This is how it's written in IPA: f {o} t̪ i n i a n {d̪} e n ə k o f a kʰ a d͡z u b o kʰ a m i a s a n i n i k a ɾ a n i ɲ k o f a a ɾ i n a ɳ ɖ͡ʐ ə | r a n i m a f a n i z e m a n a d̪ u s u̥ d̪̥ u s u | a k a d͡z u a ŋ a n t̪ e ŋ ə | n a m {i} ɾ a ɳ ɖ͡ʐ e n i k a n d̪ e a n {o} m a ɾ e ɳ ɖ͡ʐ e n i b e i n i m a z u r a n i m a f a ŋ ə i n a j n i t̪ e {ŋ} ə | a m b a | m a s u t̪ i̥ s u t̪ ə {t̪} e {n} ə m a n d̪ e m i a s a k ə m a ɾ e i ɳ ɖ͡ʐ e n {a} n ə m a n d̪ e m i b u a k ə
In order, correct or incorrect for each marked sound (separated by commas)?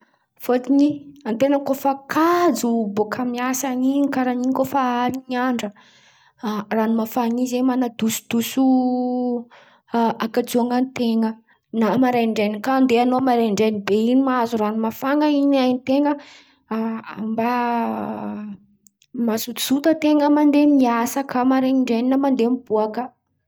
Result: correct, incorrect, incorrect, correct, correct, correct, incorrect, incorrect